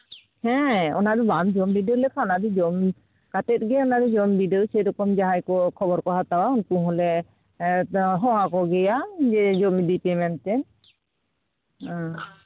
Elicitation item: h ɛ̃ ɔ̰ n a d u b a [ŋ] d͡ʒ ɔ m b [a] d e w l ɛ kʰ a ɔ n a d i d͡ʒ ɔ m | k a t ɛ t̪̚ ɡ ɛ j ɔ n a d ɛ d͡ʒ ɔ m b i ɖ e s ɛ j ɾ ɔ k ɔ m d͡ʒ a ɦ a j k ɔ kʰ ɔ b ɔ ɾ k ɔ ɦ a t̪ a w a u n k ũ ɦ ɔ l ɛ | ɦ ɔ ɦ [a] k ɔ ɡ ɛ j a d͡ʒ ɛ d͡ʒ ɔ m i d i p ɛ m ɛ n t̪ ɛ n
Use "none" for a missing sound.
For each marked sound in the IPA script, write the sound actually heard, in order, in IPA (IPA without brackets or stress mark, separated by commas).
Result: m, i, a